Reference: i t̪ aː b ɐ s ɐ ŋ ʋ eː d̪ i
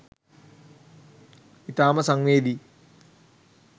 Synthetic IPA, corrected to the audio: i t̪ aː m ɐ s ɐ ŋ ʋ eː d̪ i